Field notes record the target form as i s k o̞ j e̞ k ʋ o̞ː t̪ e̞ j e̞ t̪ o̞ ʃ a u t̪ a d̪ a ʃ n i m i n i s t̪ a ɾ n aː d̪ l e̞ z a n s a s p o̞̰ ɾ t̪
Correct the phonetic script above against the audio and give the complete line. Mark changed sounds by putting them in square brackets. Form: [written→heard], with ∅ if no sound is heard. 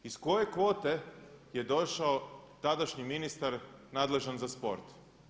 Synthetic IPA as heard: i s k o̞ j e̞ k ʋ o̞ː t̪ e̞ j e̞ [t̪→d̪] o̞ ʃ a [u→o] t̪ a d̪ a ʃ [n→ɲ] i m i n i s t̪ a ɾ n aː d̪ l e̞ [z→ʒ] a n [s→z] a s p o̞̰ ɾ t̪